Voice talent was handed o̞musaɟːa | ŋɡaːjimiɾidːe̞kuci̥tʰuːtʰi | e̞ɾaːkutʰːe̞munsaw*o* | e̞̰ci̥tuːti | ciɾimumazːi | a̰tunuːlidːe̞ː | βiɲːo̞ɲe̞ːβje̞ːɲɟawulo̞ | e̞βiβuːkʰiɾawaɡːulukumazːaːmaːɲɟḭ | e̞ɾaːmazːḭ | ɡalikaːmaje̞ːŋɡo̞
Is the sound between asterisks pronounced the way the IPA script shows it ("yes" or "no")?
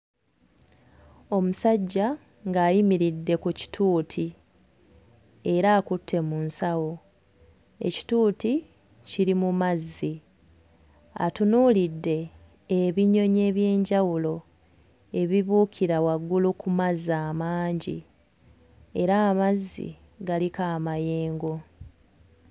yes